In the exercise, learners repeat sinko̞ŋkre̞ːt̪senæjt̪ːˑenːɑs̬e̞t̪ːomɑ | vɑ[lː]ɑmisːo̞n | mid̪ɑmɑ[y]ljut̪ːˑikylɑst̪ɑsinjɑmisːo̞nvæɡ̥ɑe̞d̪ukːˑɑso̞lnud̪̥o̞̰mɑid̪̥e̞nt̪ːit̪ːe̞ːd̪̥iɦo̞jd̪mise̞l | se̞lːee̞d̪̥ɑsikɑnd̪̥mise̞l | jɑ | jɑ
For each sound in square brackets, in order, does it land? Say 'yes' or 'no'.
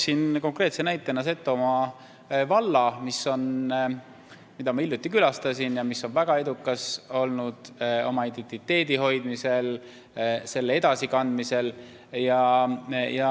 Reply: yes, no

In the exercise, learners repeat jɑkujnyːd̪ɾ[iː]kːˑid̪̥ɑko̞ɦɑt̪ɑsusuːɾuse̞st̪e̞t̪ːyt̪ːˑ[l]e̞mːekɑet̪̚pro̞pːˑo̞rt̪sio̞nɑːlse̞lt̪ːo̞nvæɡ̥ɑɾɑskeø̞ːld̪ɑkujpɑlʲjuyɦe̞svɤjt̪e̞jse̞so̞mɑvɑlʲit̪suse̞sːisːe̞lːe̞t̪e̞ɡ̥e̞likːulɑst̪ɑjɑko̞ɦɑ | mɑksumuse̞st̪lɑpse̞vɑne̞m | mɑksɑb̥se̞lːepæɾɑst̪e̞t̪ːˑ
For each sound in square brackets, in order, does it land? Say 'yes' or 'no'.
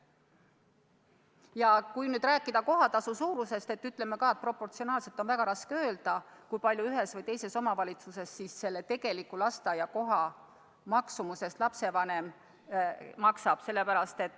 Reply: no, yes

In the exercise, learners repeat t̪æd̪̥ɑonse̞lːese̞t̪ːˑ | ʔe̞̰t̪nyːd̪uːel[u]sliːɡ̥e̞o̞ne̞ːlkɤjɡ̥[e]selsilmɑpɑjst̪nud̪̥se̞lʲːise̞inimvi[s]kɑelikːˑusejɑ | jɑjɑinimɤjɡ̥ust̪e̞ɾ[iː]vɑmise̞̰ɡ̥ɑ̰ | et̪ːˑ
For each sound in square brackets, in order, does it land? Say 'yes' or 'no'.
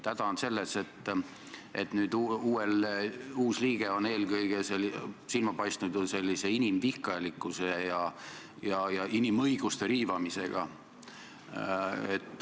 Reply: no, yes, no, yes

